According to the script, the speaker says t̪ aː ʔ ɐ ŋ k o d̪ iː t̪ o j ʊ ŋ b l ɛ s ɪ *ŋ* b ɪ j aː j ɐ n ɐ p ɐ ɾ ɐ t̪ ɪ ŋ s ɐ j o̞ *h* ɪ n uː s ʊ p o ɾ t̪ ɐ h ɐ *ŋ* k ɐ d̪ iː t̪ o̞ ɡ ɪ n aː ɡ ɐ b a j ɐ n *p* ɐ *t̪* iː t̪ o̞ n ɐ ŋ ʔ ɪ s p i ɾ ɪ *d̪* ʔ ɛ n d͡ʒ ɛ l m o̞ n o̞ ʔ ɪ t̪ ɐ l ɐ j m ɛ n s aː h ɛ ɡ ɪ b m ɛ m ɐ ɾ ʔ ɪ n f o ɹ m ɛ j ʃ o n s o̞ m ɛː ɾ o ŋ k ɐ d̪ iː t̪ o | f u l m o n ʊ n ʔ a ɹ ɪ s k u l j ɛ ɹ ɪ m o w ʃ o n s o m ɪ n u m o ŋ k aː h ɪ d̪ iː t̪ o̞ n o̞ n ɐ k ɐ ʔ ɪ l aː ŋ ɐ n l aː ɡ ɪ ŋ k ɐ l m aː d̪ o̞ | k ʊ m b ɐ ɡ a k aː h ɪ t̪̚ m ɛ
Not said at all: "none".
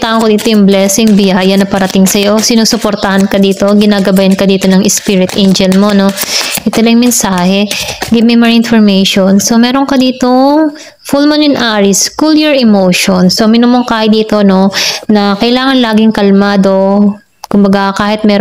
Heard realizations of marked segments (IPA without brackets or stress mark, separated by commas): ŋ, s, n, k, d̪, t̪